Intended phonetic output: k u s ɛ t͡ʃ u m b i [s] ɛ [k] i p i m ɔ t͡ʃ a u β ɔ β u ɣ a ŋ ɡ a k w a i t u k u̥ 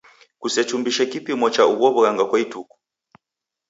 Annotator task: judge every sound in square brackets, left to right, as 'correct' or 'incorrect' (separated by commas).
incorrect, correct